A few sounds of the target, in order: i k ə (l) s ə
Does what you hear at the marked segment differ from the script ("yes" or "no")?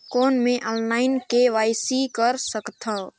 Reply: yes